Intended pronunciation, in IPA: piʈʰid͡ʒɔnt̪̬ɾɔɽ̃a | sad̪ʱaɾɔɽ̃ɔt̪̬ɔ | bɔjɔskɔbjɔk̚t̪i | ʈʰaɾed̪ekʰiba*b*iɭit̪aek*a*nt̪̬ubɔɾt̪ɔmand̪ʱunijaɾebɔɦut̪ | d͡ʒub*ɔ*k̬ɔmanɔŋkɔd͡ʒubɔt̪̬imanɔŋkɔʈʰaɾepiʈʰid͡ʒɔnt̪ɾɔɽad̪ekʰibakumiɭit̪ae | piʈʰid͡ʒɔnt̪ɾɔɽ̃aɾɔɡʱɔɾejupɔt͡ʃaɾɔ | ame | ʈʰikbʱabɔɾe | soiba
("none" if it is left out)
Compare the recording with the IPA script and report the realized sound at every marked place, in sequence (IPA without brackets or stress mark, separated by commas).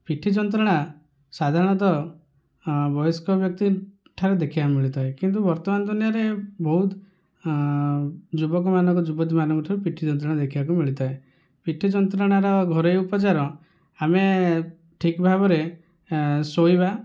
m, i, ɔ